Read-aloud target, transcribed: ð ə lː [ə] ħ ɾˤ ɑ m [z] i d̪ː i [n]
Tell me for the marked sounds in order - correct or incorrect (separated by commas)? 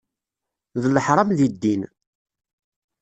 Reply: correct, incorrect, correct